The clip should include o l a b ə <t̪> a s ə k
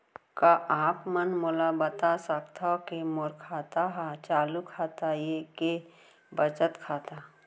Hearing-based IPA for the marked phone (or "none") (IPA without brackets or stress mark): t̪